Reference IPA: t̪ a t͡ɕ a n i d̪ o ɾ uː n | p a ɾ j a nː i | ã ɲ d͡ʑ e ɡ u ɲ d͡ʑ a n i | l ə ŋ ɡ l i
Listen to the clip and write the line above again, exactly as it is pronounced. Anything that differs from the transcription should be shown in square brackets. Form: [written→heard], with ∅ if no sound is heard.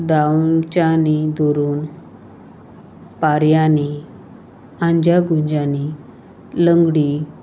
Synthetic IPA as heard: [t̪→d̪] a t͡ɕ a n i d̪ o ɾ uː n | p a ɾ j a [nː→n] i | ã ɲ d͡ʑ [e→a] ɡ u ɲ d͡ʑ a n i | l ə ŋ ɡ [l→ɽ] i